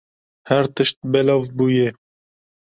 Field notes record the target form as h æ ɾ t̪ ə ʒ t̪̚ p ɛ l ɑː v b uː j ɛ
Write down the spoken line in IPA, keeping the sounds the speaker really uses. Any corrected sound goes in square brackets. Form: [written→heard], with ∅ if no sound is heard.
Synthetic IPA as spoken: h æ ɾ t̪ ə [ʒ→ʃ] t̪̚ [p→b] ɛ l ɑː v b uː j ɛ